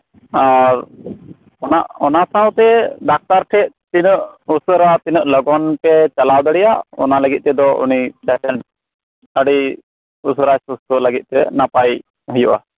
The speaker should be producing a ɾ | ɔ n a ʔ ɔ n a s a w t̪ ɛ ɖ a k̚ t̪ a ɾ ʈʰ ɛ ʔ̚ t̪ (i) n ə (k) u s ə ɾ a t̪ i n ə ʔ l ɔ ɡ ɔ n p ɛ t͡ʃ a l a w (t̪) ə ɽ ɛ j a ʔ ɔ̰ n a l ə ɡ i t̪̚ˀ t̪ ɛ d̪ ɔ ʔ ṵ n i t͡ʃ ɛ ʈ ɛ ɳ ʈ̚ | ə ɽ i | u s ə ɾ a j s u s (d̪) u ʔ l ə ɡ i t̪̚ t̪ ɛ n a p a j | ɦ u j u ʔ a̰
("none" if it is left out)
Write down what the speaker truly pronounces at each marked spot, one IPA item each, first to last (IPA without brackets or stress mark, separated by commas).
i, ʔ, d̪, t̪